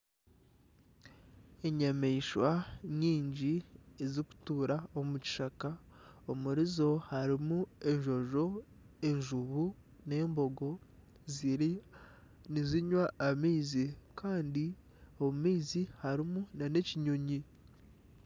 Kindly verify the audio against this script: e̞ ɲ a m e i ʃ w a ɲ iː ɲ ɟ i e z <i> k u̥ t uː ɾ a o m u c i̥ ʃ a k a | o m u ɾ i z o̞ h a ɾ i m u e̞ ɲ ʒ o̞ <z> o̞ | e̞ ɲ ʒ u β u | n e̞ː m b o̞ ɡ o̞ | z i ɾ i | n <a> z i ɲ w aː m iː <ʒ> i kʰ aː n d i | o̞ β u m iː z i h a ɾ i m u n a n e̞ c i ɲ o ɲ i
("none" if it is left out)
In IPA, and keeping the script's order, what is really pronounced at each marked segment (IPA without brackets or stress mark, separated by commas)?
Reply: i, ʒ, i, z